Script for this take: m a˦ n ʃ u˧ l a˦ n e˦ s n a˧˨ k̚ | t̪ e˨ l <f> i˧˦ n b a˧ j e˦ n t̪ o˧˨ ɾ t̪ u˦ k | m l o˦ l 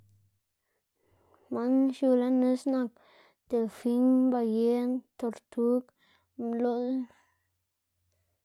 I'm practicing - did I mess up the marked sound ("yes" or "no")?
no